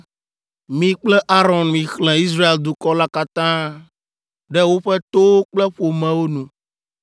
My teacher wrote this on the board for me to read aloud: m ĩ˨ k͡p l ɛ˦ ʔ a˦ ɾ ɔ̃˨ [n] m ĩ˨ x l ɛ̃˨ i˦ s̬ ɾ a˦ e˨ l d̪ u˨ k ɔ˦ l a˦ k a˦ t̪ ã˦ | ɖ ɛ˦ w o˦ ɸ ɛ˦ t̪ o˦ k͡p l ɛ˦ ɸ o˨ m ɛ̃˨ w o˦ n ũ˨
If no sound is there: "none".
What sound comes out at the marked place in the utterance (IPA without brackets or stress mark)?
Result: n